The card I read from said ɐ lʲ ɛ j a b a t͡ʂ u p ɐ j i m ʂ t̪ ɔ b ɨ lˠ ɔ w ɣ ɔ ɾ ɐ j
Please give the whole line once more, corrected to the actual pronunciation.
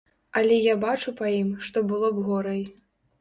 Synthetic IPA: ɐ lʲ ɛ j a b a t͡ʂ u p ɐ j i m ʂ t̪ ɔ b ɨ lˠ ɔ b ɣ ɔ ɾ ɐ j